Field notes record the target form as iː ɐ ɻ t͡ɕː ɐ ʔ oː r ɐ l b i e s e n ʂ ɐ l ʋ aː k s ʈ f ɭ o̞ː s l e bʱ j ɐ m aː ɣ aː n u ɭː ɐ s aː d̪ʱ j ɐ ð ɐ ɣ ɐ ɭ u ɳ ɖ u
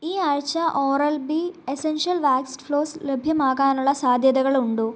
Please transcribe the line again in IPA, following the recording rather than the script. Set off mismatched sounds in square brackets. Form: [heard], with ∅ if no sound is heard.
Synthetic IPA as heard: iː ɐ ɻ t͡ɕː ɐ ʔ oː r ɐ l b i e s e n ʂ ɐ l ʋ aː k s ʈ f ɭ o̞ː s l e bʱ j ɐ m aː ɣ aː n u ɭː ɐ s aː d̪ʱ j ɐ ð ɐ ɣ ɐ ɭ u ɳ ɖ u